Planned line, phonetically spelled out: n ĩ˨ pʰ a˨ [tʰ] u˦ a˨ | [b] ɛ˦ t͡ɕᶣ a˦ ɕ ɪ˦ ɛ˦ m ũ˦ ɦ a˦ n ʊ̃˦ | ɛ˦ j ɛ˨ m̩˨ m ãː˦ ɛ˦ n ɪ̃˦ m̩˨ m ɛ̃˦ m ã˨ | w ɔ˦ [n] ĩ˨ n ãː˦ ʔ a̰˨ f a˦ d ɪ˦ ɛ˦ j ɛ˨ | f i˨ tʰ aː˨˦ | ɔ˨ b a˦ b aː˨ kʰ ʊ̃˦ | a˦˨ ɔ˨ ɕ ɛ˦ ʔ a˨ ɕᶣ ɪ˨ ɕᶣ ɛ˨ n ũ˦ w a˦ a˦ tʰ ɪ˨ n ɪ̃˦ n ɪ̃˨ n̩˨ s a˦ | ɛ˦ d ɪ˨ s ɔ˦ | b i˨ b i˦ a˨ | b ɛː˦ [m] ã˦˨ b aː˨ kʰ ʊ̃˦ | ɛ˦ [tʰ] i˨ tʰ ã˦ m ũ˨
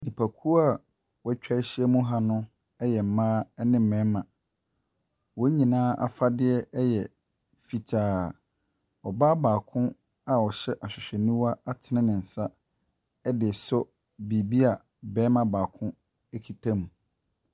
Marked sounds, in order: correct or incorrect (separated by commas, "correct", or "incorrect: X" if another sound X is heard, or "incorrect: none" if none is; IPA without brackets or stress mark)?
incorrect: kʰ, incorrect: w, incorrect: ɲ, correct, incorrect: kʰ